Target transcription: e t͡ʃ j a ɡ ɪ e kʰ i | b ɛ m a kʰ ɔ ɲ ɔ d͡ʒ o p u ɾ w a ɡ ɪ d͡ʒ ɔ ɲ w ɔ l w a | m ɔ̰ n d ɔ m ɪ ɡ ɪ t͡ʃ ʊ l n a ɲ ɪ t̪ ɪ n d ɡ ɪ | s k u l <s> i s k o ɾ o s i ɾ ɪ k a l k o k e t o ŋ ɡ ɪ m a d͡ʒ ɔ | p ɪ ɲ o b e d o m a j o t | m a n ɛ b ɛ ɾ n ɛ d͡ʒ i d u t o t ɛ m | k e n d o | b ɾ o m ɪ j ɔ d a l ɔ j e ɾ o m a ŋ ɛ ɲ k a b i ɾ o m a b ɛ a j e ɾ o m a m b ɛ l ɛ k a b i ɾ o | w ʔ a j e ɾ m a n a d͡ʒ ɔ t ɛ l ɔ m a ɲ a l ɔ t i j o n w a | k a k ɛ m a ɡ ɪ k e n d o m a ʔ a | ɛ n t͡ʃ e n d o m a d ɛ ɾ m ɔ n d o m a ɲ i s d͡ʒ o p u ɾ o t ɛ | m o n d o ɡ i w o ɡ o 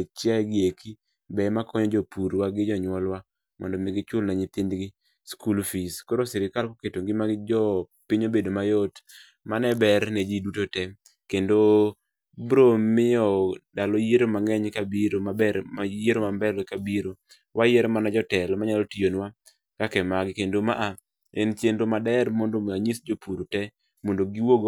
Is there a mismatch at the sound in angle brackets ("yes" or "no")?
yes